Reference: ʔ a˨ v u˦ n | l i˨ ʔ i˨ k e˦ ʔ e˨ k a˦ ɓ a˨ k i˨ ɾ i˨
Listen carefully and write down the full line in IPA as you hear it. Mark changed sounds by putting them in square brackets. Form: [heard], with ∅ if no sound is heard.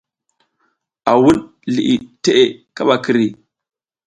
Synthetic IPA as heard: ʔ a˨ [w] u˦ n | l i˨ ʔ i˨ [t] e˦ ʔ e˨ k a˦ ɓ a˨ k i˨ ɾ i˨